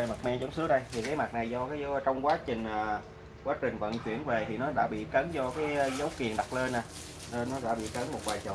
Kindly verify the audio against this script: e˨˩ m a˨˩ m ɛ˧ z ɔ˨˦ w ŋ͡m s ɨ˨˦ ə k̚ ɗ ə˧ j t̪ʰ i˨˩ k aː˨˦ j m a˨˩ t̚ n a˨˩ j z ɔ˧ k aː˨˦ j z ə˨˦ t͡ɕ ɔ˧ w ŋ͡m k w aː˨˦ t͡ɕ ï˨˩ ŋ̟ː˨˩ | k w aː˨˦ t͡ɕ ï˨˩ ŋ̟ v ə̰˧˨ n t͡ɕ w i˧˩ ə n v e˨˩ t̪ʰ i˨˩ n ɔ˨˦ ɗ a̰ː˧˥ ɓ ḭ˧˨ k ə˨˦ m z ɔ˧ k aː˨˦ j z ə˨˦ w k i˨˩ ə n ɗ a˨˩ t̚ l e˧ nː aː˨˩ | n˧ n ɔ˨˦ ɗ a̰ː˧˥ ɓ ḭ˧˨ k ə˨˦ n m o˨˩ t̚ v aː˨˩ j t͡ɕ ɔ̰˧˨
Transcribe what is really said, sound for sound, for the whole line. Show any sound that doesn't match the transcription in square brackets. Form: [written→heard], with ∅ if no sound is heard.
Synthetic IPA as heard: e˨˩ m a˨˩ m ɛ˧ z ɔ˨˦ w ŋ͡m s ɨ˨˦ ə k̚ ɗ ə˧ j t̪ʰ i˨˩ k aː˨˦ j m a˨˩ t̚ n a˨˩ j z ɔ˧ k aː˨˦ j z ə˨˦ t͡ɕ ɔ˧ w ŋ͡m k w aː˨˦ t͡ɕ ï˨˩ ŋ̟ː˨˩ | k w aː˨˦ t͡ɕ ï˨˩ ŋ̟ v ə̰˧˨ n t͡ɕ w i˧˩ ə n v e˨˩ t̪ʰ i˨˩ n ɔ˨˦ ɗ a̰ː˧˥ ɓ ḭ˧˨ k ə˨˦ [m→n] z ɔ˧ k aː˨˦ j z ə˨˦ w k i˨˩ ə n ɗ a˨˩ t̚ l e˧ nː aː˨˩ | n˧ n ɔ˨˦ ɗ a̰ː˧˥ ɓ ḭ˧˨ k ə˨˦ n m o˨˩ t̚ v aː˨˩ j t͡ɕ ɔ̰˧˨